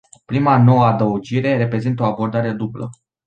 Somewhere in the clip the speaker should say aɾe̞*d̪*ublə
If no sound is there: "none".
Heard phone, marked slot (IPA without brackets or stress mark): d̪